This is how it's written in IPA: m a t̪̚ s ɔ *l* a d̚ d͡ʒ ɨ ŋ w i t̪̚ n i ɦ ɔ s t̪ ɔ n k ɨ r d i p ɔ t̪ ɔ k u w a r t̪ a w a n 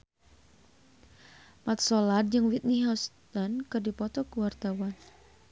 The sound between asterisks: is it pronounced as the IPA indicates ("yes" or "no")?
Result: yes